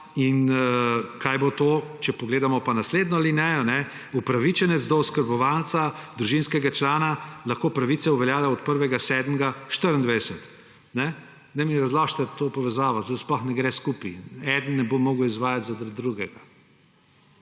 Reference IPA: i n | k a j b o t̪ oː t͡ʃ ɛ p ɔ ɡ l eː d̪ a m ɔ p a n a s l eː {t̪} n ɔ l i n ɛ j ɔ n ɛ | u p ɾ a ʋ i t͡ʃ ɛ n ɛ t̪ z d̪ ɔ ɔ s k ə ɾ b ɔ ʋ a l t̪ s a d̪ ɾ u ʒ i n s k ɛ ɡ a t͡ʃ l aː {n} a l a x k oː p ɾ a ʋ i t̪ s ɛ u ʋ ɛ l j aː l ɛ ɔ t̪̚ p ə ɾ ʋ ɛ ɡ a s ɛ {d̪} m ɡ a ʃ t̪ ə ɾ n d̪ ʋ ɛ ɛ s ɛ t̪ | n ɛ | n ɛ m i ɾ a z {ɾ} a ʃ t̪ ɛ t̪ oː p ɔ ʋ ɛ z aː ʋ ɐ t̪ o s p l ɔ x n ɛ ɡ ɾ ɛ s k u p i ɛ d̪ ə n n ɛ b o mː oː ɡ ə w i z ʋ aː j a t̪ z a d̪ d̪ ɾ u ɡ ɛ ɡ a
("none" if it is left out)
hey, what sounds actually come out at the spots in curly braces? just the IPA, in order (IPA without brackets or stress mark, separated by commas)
d̪, n, d̪, l